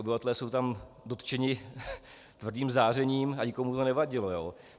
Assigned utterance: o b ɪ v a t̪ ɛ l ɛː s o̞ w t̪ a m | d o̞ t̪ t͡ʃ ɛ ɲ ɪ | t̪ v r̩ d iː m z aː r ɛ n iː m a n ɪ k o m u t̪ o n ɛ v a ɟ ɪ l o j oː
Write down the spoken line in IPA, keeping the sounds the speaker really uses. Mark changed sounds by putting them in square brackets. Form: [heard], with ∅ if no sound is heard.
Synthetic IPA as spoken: o b ɪ v a t̪ ɛ l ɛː s o̞ w t̪ a m | d o̞ t̪ t͡ʃ ɛ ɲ ɪ | t̪ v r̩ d iː m z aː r ɛ [ɲ] iː m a [ɲ] ɪ k o m u t̪ o n ɛ v a ɟ ɪ l o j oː